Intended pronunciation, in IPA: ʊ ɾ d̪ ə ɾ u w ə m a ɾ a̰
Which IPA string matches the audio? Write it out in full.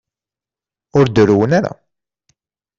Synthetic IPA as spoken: ʊ ɾ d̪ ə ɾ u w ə n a ɾ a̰